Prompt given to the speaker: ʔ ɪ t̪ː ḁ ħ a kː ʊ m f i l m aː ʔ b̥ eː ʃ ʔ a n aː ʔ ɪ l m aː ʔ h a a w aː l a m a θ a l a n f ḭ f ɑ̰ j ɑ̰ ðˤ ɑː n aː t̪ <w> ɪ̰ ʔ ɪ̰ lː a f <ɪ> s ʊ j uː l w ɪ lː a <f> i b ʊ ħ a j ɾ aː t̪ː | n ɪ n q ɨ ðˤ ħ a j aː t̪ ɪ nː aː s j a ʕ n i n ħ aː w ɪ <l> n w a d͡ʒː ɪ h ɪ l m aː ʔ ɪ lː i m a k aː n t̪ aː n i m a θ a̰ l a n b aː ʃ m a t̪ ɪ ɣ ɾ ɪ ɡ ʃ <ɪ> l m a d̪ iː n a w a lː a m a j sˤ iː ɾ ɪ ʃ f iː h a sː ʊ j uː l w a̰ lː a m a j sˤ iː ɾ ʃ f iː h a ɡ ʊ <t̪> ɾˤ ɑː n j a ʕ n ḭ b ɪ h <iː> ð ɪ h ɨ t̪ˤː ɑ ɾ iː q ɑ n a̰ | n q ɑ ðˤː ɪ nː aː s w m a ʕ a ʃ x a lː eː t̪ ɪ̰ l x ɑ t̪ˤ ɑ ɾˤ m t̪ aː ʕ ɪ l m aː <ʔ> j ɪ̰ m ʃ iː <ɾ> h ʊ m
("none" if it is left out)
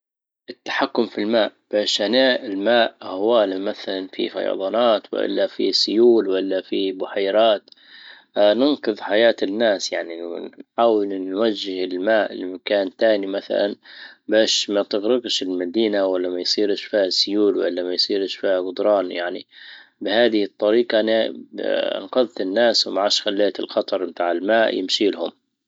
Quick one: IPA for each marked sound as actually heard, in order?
w, i, f, l, ɪ, d̪, aː, ʔ, l

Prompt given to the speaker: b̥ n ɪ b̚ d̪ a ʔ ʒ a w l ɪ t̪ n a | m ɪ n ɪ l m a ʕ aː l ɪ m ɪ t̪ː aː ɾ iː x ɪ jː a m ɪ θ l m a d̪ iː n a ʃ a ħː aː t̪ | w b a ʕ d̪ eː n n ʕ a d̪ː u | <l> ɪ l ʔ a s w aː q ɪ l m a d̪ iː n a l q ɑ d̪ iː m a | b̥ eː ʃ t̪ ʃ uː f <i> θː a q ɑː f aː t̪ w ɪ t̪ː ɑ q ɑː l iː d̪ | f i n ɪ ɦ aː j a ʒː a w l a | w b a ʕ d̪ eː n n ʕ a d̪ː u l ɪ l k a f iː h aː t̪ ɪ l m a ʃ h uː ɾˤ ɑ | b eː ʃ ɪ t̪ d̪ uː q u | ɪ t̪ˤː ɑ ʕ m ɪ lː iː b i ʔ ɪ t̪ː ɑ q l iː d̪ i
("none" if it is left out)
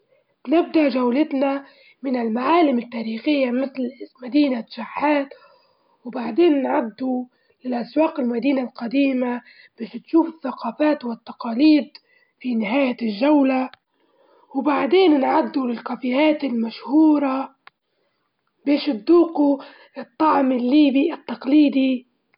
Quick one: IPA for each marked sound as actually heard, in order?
l, ɪ

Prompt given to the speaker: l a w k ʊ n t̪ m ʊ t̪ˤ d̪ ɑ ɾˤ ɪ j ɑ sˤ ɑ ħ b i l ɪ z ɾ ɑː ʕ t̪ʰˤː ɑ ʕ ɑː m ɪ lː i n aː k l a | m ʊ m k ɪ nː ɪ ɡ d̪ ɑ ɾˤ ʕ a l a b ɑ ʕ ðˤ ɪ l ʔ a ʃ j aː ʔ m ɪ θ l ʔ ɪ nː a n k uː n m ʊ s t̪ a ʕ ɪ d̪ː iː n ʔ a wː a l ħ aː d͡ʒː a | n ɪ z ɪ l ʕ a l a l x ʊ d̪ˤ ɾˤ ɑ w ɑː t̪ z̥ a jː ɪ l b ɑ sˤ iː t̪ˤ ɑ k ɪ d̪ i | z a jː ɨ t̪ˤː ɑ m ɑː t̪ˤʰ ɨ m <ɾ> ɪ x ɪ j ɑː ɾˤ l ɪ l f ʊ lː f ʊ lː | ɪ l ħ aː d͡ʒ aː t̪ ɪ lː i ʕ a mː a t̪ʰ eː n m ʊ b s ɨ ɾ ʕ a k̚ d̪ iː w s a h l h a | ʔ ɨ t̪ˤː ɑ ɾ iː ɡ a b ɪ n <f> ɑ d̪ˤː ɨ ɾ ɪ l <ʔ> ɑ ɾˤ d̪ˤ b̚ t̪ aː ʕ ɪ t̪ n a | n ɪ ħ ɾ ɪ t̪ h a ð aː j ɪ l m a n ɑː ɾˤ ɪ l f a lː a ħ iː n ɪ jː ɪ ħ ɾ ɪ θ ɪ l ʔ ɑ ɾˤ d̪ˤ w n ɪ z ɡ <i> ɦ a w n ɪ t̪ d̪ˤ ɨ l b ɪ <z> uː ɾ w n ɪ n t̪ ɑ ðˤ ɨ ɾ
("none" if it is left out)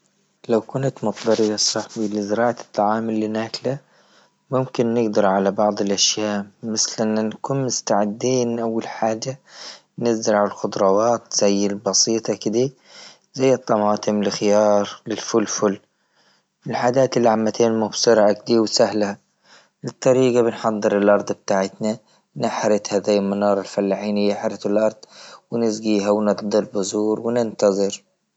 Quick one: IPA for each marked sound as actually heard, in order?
l, ħ, ʔ, iː, z

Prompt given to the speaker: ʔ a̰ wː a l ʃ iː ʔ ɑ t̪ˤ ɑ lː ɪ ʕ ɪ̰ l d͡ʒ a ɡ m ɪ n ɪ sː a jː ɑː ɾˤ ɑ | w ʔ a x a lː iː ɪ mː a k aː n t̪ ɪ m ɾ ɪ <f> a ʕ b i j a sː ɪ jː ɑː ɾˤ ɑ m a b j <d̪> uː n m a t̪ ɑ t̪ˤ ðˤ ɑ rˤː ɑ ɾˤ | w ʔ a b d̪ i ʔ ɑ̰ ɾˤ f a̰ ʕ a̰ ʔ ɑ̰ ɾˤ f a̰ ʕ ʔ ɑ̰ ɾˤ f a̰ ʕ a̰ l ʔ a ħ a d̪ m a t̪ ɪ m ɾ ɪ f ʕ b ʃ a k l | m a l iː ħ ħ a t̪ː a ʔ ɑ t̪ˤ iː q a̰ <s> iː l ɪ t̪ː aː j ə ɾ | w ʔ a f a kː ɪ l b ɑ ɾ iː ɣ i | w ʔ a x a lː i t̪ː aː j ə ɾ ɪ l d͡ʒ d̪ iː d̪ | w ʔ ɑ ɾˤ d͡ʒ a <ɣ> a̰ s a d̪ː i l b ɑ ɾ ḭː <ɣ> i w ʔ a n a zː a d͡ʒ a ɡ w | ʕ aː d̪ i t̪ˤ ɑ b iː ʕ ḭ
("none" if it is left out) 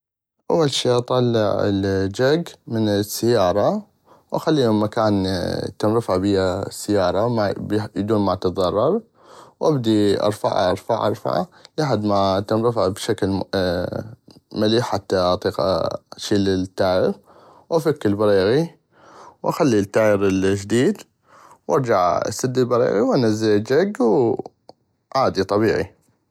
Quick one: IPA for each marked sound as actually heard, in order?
f, d̪, ʃ, ʕ, ɣ

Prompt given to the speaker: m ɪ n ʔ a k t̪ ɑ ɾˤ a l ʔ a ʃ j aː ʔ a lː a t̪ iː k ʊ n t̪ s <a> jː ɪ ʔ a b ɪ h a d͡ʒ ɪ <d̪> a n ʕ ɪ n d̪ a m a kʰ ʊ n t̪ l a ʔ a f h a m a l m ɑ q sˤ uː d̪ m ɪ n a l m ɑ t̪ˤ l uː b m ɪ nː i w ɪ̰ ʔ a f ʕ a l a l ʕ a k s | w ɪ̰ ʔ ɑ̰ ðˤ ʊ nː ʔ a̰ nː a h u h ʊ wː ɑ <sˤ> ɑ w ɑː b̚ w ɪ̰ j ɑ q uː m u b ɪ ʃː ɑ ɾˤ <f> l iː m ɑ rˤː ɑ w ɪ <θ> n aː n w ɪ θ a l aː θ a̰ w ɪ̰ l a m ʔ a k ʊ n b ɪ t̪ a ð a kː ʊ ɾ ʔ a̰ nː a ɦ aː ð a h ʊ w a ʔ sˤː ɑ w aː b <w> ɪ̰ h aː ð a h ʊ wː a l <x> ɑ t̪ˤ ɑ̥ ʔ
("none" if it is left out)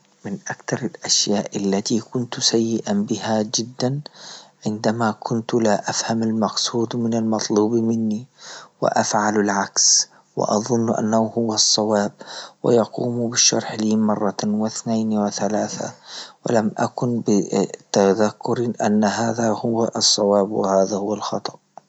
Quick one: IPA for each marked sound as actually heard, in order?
a, d̪ː, sˤː, ħ, θ, w, x

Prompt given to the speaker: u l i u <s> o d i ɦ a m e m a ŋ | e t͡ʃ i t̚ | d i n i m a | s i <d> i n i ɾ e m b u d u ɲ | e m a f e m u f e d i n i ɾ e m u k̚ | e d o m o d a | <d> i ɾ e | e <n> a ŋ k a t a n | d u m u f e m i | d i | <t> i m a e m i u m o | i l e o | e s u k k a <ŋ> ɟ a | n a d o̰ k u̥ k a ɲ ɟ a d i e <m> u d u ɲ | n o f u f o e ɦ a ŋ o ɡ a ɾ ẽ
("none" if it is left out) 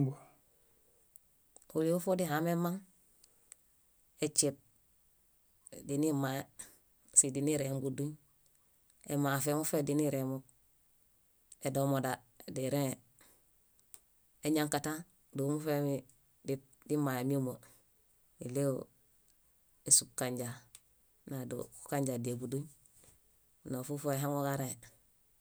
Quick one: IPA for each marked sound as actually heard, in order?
f, d, d, ɲ, d, ɲ, b

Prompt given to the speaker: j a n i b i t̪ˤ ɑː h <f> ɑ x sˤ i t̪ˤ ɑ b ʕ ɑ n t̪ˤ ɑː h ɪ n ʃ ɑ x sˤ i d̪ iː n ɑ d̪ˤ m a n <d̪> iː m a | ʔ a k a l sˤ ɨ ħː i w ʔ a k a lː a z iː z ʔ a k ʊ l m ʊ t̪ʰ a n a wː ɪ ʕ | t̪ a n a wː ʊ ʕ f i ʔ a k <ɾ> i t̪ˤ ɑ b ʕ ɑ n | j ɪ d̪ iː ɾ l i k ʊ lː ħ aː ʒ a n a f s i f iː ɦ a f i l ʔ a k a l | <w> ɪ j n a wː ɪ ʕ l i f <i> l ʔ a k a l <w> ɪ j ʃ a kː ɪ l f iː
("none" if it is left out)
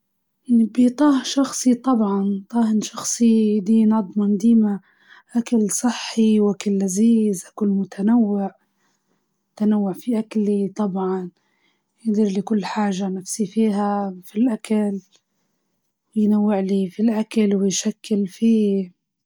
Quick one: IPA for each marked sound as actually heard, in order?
ʃ, d̪, l, w, i, w

